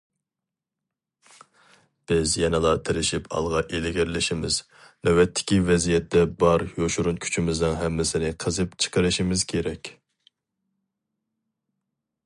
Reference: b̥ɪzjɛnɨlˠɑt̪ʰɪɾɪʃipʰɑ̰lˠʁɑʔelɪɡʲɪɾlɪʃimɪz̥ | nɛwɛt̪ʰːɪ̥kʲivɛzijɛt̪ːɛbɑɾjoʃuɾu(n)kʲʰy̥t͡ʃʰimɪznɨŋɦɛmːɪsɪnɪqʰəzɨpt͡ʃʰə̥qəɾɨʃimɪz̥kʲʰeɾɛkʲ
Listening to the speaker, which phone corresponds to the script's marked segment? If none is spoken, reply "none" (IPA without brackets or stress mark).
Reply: n